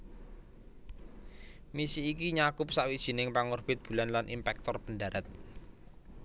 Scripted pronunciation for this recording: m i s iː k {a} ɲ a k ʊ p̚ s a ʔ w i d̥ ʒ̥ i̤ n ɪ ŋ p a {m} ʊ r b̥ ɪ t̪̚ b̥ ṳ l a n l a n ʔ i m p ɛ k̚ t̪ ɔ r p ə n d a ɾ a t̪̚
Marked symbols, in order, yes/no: no, no

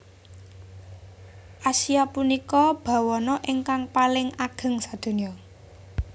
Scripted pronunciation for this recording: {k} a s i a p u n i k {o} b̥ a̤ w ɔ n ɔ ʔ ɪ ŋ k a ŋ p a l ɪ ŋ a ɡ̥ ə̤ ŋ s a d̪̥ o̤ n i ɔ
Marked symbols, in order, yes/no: no, no

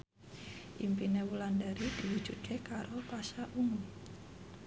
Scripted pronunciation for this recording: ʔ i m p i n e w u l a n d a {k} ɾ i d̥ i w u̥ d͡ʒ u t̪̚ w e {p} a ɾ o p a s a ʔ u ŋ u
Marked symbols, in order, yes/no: no, no

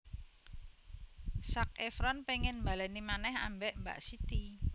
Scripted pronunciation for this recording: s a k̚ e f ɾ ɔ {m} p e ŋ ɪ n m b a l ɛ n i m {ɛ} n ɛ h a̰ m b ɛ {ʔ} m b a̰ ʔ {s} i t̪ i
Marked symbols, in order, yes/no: no, no, yes, yes

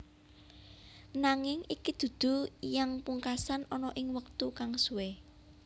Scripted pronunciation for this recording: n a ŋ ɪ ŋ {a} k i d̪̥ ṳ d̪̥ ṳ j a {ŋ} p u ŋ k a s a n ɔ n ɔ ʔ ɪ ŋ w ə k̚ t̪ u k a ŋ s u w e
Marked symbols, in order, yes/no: no, yes

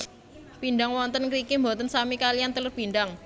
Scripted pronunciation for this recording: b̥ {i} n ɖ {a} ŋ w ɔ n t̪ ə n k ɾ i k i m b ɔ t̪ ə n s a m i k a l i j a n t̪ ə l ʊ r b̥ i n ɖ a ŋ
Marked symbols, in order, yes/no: yes, yes

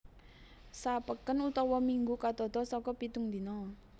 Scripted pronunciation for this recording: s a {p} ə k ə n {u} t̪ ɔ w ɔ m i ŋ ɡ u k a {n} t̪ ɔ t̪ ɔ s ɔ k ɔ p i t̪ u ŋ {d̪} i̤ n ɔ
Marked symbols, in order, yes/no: yes, yes, no, yes

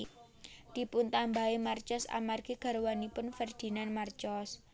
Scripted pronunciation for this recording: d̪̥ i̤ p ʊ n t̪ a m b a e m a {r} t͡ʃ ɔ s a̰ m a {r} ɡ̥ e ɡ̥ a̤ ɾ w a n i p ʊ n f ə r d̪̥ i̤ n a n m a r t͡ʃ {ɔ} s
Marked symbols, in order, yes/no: yes, yes, yes

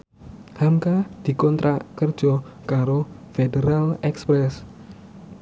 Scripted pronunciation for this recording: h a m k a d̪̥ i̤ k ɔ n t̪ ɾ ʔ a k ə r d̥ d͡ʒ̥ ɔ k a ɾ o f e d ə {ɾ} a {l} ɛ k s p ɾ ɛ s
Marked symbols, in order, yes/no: yes, yes

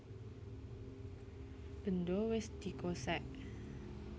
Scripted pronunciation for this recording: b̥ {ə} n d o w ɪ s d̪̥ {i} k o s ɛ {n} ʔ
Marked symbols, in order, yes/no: yes, yes, no

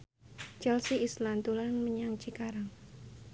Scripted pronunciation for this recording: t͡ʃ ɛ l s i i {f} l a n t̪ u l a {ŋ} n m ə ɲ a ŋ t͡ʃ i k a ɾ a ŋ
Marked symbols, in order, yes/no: no, no

